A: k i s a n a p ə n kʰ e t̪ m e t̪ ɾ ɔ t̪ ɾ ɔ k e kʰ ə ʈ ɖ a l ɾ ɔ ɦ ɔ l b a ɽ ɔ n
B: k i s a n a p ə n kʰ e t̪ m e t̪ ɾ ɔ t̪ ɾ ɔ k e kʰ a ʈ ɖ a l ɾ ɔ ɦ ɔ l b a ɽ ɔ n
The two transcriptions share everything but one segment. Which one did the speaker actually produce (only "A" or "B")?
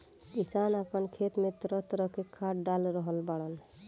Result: B